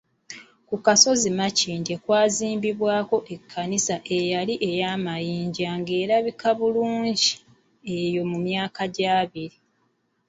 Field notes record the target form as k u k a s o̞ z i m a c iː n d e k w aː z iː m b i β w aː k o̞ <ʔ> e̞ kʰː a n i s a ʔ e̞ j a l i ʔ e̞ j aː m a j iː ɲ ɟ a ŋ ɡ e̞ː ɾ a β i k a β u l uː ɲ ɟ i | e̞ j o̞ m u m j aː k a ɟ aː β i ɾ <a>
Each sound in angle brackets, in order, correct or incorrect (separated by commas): correct, incorrect